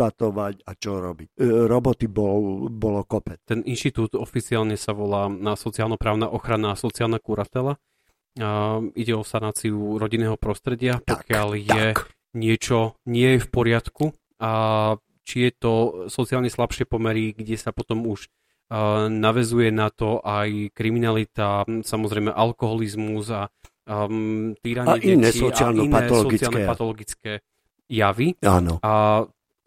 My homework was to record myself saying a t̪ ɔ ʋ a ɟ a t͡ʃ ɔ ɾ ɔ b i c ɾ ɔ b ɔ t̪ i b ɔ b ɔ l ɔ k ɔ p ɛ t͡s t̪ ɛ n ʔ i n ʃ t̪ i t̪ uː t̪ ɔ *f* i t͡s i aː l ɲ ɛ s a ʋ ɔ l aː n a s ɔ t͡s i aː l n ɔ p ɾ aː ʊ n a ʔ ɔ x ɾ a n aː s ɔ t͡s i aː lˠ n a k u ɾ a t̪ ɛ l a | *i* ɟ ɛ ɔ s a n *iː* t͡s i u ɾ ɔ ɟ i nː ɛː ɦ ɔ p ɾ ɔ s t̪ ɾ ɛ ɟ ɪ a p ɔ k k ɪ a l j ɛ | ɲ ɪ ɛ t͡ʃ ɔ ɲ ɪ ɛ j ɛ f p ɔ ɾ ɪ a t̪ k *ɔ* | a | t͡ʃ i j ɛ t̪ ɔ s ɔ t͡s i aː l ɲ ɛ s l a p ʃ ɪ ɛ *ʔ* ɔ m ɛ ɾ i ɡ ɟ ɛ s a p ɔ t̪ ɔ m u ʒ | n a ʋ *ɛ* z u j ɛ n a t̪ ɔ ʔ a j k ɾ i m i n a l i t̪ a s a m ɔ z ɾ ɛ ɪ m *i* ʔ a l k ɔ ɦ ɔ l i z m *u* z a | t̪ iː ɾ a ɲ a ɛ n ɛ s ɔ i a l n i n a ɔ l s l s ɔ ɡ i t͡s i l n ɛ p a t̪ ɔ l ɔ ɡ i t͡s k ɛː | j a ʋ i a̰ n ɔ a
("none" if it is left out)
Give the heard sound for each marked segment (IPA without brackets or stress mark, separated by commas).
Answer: f, i, aː, u, p, ɛ, ɛ, u